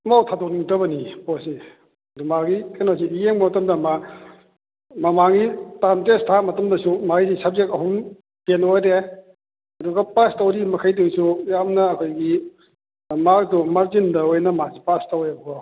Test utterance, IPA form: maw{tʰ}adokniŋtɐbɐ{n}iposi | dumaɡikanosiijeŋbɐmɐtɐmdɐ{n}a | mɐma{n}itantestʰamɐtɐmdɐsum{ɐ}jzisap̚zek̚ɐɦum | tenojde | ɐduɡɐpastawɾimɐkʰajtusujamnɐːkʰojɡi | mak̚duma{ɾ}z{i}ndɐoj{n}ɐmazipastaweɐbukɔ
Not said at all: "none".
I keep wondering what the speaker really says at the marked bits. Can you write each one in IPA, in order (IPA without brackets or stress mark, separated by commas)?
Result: tʰ, n, m, ŋ, a, ɾ, i, n